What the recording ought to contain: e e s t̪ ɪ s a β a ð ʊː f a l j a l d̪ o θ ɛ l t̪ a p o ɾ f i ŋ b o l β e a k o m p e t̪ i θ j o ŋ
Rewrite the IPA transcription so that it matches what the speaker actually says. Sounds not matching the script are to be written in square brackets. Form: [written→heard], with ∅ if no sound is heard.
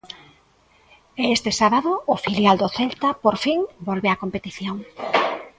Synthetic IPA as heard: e e s t̪ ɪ s a β a ð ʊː f [a→i] l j a l d̪ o θ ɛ l t̪ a p o ɾ f i ŋ b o l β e a k o m p e t̪ i θ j o ŋ